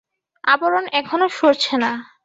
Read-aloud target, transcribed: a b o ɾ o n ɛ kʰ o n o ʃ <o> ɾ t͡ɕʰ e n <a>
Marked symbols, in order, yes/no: yes, yes

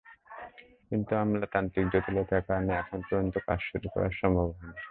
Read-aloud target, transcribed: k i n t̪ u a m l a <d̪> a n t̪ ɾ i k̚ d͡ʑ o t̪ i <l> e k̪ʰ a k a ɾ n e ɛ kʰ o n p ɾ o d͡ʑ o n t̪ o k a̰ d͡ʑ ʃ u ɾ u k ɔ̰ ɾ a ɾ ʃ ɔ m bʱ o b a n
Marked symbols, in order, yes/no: no, yes

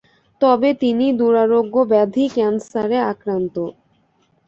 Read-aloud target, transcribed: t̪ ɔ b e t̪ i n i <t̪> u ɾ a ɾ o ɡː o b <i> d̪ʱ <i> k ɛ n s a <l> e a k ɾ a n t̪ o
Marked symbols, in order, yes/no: no, no, yes, no

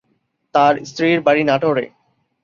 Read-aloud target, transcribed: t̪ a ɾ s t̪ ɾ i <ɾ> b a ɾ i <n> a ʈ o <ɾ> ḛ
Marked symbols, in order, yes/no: yes, yes, yes

